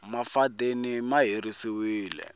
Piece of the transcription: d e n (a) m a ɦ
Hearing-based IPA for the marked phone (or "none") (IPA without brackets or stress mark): i